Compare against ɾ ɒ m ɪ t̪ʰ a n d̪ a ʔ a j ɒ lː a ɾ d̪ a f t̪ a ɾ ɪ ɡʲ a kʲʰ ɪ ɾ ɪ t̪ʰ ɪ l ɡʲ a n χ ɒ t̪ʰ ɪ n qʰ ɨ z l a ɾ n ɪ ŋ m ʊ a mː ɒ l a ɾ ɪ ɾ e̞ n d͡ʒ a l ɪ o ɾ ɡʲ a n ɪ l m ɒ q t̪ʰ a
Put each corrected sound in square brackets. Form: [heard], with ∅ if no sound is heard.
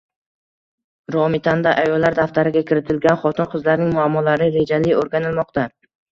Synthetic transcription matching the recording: ɾ ɒ m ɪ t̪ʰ a n d̪ a ʔ a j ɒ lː a ɾ d̪ a f t̪ a ɾ ɪ ɡʲ a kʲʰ ɪ ɾ ɪ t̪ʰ ɪ l ɡʲ a n χ ɒ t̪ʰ ɪ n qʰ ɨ z l a ɾ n ɪ ŋ m ʊ a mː ɒ l a ɾ ɪ ɾ e̞ [∅] d͡ʒ a l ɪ o ɾ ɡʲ a n ɪ l m ɒ q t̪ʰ a